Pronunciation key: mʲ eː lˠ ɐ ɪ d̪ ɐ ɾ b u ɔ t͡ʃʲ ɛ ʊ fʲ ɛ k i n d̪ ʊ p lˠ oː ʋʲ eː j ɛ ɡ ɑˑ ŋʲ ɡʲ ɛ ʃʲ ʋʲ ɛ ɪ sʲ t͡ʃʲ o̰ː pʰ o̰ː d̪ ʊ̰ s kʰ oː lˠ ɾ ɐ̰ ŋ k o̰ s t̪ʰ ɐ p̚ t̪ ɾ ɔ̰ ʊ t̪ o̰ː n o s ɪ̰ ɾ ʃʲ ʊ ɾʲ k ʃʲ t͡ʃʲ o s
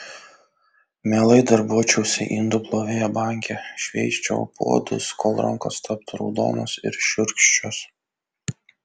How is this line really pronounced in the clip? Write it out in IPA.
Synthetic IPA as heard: mʲ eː lˠ ɐ ɪ d̪ ɐ ɾ b u ɔ t͡ʃʲ ɛ ʊ sʲ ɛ ʔ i n d̪ ʊ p lˠ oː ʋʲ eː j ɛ b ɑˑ ŋʲ kʲ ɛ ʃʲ ʋʲ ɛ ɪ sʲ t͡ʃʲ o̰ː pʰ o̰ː d̪ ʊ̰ s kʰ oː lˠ ɾ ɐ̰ ŋ k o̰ s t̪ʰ ɐ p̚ t̪ ɾ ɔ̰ ʊ d̪ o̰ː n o s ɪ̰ ɾ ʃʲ ʊ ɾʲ k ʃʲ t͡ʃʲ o s